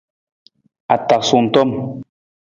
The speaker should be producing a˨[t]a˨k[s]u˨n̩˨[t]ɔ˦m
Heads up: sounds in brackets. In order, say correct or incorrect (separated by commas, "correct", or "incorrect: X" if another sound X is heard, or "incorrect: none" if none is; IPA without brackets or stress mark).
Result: correct, correct, correct